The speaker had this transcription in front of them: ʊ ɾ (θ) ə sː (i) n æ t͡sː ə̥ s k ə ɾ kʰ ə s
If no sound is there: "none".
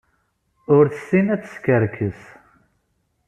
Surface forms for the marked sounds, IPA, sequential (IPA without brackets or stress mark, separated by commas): θ, i